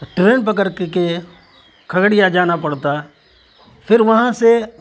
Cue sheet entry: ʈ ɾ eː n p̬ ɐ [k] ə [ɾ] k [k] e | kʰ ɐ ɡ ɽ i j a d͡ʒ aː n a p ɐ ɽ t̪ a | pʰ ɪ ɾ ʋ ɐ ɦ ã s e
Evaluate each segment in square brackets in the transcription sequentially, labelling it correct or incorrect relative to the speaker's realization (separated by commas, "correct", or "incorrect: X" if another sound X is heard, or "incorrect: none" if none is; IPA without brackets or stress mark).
correct, correct, correct